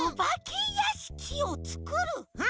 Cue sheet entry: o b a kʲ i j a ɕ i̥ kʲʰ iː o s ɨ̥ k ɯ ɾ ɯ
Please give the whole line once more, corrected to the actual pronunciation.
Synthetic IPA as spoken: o b a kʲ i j a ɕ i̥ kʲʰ i o t͡s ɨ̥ k ɯ ɾ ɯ

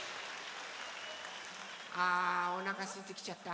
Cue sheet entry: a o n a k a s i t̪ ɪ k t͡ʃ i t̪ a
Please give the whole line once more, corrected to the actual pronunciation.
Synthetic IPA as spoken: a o n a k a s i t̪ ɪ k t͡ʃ a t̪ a

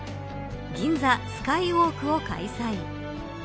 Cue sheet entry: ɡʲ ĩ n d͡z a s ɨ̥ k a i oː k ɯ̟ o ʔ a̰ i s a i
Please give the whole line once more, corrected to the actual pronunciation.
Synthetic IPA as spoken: ɡʲ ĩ n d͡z a s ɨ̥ k a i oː k ɯ̟ o k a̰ i s a i

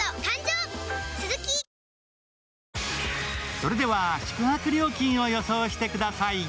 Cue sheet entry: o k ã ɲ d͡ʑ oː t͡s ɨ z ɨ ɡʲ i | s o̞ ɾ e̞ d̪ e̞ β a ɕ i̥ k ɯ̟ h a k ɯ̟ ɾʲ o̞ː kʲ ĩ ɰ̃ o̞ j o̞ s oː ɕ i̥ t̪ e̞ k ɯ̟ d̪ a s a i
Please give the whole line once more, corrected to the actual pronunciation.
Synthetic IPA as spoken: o k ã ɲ d͡ʑ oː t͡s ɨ z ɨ kʲ i | s o̞ ɾ e̞ d̪ e̞ β a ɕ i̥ k ɯ̟ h a k ɯ̟ ɾʲ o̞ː kʲ ĩ ɰ̃ o̞ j o̞ s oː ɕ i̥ t̪ e̞ k ɯ̟ d̪ a s a i

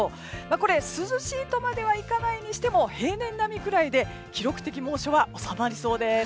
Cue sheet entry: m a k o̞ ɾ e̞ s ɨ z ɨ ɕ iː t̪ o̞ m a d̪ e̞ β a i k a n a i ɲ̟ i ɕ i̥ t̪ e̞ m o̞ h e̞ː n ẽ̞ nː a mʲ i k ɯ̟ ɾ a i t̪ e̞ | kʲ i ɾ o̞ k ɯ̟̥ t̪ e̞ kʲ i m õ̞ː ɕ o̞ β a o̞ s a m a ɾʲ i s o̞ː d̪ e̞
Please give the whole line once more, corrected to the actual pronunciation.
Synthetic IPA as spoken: m a k o̞ ɾ e̞ s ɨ z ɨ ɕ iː t̪ o̞ m a d̪ e̞ β a i k a n a i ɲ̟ i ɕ i̥ t̪ e̞ m o̞ h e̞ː n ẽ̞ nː a mʲ i k ɯ̟ ɾ a i d̪ e̞ | kʲ i ɾ o̞ k ɯ̟̥ t̪ e̞ kʲ i m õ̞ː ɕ o̞ β a o̞ s a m a ɾʲ i s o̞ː d̪ e̞

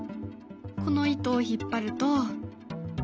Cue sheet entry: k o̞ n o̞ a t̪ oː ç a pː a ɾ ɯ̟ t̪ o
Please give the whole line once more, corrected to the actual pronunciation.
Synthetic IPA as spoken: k o̞ n o̞ i t̪ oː ç i pː a ɾ ɯ̟ t̪ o

